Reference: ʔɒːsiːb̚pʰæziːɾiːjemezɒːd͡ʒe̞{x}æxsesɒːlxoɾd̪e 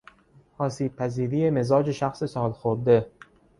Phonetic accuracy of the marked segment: incorrect: ʃ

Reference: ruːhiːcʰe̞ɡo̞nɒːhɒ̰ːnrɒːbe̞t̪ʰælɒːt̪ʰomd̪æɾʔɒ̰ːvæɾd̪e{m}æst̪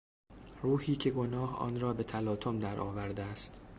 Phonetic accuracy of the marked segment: incorrect: none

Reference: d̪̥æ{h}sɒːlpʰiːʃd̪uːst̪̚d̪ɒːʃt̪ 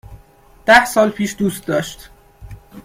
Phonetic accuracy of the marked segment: correct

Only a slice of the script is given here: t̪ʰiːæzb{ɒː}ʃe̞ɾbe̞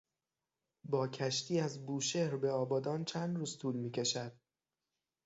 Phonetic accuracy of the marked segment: incorrect: uː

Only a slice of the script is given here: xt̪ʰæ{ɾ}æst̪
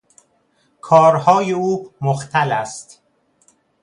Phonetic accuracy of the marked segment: incorrect: l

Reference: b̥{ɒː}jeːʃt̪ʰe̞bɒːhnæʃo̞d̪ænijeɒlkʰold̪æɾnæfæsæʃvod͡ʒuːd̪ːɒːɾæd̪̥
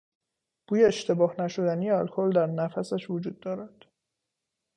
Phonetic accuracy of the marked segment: incorrect: uː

